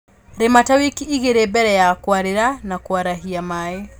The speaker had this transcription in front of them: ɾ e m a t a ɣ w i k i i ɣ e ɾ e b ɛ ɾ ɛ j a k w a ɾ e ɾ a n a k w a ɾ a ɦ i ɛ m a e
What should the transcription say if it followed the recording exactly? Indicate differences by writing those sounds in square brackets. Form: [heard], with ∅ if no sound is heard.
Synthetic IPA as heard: ɾ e m a t a [∅] w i k i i ɣ e ɾ e b ɛ ɾ ɛ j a k w a ɾ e ɾ a n a k w a ɾ a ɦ i [a] m a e